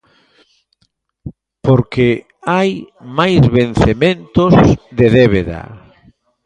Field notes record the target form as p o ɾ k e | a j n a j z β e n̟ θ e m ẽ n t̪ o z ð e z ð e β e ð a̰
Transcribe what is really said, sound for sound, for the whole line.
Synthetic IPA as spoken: p o ɾ k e | a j m a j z β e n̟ θ e m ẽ n t̪ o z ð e ð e β e ð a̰